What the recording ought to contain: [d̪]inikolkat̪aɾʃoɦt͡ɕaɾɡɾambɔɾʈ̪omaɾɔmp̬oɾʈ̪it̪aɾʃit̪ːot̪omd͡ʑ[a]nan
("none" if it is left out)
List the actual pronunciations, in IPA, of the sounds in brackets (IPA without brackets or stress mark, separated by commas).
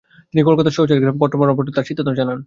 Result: t̪, a